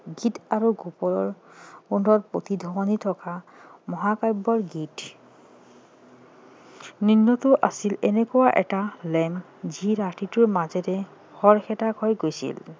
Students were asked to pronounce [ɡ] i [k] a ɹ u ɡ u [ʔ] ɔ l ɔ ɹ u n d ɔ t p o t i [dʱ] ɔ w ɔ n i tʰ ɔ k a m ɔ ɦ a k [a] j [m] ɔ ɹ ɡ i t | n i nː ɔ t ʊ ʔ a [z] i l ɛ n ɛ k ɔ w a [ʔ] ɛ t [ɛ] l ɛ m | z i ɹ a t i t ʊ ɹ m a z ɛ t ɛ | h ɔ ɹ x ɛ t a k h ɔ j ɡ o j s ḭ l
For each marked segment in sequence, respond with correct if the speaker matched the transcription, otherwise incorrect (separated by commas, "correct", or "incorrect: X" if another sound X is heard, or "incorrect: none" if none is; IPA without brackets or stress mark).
correct, incorrect: t, incorrect: p, correct, correct, incorrect: b, incorrect: s, correct, incorrect: a